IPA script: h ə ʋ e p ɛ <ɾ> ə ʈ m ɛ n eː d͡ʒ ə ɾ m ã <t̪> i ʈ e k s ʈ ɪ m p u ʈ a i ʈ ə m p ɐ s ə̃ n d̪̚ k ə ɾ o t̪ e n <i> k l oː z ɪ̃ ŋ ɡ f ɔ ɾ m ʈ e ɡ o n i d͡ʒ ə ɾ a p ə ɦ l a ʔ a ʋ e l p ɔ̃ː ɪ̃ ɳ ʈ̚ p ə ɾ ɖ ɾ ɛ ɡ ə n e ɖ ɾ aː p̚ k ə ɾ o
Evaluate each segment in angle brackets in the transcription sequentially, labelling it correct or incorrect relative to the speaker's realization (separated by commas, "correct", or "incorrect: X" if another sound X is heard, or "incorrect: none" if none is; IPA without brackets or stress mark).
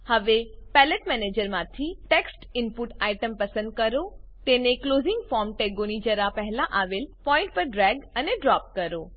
incorrect: l, incorrect: t̪ʰ, incorrect: e